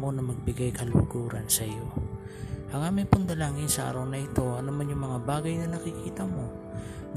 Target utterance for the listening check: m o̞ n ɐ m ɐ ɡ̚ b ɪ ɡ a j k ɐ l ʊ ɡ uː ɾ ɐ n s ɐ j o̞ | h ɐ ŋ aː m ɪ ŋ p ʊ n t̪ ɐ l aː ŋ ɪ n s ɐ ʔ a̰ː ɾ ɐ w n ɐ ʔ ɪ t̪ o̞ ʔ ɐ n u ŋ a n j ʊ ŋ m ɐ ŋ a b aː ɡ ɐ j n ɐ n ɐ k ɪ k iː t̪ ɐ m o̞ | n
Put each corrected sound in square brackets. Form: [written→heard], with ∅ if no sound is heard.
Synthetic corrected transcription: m o̞ n ɐ m ɐ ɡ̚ b ɪ ɡ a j k ɐ l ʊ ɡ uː ɾ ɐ n s ɐ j o̞ | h ɐ ŋ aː m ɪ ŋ p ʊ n [t̪→d̪] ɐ l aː ŋ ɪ n s ɐ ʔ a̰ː ɾ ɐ w n ɐ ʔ ɪ t̪ o̞ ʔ ɐ n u [ŋ→m] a n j ʊ ŋ m ɐ ŋ a b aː ɡ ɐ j n ɐ n ɐ k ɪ k iː t̪ ɐ m o̞ | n